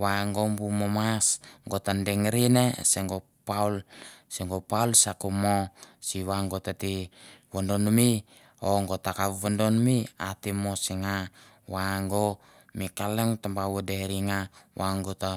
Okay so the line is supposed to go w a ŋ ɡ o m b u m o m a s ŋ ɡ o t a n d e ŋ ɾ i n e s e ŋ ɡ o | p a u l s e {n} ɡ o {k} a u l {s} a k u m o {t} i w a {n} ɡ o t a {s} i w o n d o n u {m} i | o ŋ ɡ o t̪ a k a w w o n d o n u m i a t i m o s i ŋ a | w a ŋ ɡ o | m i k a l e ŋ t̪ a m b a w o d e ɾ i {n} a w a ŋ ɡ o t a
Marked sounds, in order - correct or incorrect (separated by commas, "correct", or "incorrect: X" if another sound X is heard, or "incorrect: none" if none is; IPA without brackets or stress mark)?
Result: incorrect: ŋ, incorrect: p, correct, incorrect: s, incorrect: ŋ, incorrect: t, correct, incorrect: ŋ